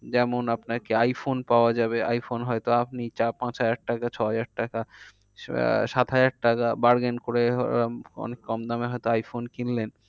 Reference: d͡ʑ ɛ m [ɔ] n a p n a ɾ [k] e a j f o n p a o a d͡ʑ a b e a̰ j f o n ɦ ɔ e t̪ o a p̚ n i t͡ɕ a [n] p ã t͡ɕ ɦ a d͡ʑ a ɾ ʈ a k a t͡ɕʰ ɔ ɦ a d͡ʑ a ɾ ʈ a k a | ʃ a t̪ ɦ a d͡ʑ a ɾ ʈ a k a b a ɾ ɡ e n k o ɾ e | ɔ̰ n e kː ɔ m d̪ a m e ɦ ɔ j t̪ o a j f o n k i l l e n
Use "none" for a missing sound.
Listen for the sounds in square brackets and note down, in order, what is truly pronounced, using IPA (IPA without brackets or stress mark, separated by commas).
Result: o, k, none